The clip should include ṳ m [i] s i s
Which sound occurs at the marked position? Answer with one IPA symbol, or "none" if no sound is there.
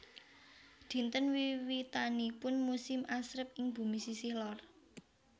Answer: i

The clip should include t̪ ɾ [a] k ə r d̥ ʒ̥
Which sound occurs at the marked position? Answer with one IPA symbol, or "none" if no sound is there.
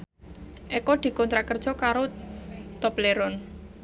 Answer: a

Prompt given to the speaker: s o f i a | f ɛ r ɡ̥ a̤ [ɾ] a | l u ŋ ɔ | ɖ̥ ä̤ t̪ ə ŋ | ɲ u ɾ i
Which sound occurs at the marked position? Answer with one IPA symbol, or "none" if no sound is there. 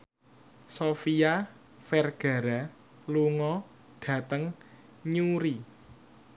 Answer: ɾ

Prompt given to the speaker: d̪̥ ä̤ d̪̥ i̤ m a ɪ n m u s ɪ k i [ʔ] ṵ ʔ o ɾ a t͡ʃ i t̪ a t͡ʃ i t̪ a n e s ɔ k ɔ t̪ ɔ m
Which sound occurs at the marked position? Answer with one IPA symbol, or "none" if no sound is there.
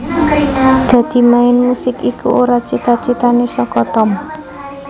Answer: k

